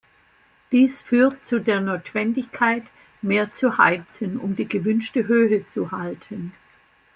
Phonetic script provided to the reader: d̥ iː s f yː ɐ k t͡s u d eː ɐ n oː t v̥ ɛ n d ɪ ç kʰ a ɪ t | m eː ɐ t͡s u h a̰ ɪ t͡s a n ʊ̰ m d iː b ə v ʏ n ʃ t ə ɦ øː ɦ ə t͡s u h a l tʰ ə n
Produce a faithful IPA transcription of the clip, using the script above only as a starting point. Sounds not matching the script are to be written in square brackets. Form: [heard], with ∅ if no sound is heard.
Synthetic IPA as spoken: d̥ iː s f yː ɐ [t] t͡s u d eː ɐ n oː t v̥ ɛ n d ɪ ç kʰ a ɪ t | m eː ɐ t͡s u h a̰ ɪ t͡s [ə] n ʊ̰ m d iː [ɡ] ə v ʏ n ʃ t ə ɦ øː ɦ ə t͡s u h a l tʰ ə n